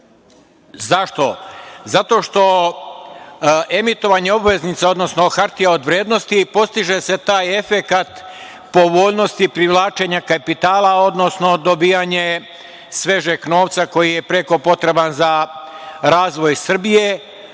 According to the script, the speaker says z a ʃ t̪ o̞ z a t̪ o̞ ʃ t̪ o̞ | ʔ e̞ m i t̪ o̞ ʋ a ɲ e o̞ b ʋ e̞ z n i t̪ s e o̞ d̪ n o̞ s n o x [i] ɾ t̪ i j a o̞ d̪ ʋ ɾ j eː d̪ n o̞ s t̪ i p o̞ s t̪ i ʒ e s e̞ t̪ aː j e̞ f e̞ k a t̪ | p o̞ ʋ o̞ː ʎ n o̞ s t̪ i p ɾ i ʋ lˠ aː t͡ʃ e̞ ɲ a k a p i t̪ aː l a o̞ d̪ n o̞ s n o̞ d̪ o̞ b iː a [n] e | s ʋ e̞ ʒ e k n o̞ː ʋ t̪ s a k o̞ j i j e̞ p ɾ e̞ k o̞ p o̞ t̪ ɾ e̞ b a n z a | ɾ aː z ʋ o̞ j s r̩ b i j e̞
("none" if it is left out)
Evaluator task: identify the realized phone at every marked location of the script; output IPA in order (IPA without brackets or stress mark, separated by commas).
a, ɲ